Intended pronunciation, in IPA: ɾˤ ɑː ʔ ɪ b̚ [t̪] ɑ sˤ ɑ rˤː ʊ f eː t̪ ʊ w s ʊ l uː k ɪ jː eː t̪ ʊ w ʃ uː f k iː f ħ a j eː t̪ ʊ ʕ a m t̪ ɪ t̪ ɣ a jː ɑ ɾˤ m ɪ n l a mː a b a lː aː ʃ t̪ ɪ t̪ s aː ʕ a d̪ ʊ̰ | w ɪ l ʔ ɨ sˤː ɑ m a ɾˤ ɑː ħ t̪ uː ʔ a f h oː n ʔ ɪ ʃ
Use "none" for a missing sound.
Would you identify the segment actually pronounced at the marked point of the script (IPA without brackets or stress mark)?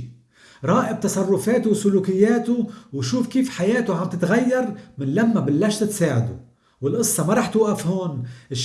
t̪